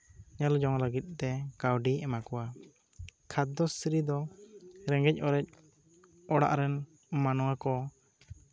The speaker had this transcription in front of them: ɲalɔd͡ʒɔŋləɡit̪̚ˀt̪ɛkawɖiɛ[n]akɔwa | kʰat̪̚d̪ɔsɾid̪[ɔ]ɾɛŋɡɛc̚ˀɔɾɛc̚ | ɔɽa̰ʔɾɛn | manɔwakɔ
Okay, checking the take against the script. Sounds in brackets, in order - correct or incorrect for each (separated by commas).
incorrect, correct